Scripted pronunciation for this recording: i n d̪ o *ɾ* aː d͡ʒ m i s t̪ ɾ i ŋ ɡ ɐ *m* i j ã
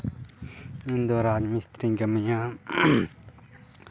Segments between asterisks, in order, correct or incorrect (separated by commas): correct, correct